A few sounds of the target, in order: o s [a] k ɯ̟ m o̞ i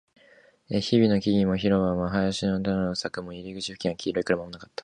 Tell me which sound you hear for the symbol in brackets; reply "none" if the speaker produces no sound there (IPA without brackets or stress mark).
a